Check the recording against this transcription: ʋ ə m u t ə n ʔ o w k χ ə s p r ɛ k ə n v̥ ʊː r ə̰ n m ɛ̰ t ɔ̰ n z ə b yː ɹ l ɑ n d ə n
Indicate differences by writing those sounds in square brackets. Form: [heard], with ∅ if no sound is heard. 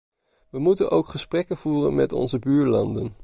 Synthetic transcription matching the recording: ʋ ə m u t ə n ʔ o w k χ ə s p r ɛ k ə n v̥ [uː] r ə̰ n m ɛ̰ t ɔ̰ n z ə b yː ɹ l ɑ n d ə n

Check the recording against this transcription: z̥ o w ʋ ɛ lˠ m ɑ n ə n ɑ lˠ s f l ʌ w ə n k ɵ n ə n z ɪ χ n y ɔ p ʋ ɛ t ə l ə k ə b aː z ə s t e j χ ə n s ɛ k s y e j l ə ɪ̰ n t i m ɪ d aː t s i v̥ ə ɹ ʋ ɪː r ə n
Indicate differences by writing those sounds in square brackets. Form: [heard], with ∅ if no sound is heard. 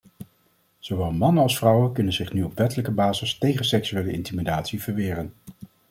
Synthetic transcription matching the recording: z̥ o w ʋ ɛ lˠ m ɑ n ə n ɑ lˠ s f [r] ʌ w ə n k ɵ n ə n z ɪ χ n y ɔ p ʋ ɛ t ə l ə k ə b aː z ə s t e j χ ə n s ɛ k s y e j l ə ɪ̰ n t i m [i] d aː t s i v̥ ə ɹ ʋ ɪː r ə n

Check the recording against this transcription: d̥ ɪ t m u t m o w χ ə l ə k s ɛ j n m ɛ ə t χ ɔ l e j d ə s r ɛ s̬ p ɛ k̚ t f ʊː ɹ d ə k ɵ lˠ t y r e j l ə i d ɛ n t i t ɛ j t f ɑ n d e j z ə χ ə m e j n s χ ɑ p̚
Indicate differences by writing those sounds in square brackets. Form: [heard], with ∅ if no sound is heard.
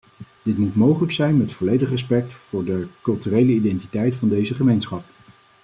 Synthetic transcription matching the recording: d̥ ɪ t m u t m o w χ ə l ə k s ɛ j n m ɛ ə t [f] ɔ l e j d ə [χ] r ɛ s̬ p ɛ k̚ t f ʊː ɹ d ə k ɵ lˠ t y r e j l ə i d ɛ n t i t ɛ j t f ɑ n d e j z ə χ ə m e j n s χ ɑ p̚

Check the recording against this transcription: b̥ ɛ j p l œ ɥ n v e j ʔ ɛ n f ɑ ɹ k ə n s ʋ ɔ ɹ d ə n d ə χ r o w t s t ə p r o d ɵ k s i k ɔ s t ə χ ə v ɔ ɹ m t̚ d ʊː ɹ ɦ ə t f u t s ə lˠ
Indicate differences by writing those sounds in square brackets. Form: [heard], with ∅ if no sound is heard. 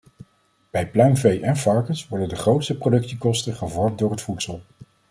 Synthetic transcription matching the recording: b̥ ɛ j p l œ ɥ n v e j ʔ ɛ n f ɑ ɹ k ə n s ʋ ɔ ɹ d ə n d ə χ r o w t s t ə p r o d ɵ k s i k ɔ s t ə χ ə v ɔ ɹ m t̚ d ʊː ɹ ɦ ə t f u t s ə lˠ

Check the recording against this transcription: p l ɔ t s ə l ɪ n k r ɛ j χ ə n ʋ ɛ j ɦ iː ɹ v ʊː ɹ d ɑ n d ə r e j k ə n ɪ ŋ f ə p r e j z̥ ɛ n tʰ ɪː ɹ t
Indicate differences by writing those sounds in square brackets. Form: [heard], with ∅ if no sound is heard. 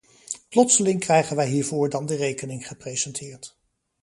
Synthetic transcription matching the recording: p l ɔ t s ə l ɪ [ŋ] k r ɛ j χ ə n ʋ ɛ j ɦ iː ɹ v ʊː ɹ d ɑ n d ə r e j k ə n ɪ ŋ [χ] ə p r e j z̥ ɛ n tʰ ɪː ɹ t

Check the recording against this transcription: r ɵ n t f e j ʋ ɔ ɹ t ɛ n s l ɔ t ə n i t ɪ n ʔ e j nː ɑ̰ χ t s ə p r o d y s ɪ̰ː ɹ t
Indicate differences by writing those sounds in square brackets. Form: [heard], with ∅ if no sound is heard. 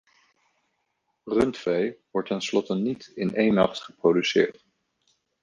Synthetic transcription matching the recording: r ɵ n t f e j ʋ ɔ ɹ t ɛ n s l ɔ t ə n i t ɪ n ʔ e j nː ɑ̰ χ t [χ] ə p r o d y s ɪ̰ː ɹ t

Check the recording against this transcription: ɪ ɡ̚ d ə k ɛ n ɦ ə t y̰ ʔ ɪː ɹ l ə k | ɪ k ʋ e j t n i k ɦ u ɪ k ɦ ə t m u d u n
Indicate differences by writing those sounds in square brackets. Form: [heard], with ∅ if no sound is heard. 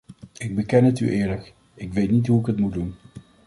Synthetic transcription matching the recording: ɪ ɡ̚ [b] ə k ɛ n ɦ ə t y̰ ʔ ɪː ɹ l ə k | ɪ k ʋ e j t n i [t] ɦ u ɪ k ɦ ə t m u d u n

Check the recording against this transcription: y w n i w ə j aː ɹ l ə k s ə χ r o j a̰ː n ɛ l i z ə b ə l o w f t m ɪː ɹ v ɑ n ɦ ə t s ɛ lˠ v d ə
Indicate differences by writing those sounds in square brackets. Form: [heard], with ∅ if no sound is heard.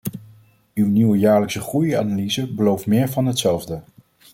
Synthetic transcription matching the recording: y w n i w ə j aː ɹ l ə k s ə χ r [u] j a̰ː n [a] l i z ə b ə l o w f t m ɪː ɹ v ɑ n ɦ ə t s ɛ lˠ v d ə

